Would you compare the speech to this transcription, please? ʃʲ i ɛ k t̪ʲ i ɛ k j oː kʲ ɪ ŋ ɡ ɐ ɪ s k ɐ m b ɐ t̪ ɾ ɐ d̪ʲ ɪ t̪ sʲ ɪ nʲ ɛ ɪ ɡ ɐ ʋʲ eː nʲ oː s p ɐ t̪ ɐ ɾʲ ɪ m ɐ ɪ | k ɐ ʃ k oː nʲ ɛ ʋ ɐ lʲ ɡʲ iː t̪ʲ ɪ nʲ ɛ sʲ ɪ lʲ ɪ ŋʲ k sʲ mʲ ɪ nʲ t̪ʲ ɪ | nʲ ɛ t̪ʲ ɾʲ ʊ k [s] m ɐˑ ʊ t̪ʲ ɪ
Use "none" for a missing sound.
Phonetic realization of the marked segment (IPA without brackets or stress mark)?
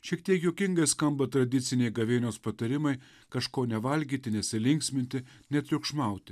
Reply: ʃ